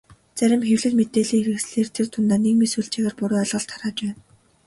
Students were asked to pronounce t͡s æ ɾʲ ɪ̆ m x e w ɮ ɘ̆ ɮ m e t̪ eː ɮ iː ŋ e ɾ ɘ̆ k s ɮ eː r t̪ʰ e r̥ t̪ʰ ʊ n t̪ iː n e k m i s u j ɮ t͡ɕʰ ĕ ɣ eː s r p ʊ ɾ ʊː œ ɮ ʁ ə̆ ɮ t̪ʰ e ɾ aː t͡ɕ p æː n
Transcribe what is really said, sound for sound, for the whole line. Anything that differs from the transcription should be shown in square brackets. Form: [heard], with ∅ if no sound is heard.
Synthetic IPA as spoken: t͡s æ ɾʲ ɪ̆ m x e w ɮ ɘ̆ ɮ m e t̪ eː ɮ iː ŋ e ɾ ɘ̆ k s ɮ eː r t̪ʰ e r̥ t̪ʰ ʊ n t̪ [aː] n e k m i s u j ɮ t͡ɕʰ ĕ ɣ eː [∅] r p ʊ ɾ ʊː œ ɮ ʁ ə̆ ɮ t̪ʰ [a] ɾ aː t͡ɕ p æː n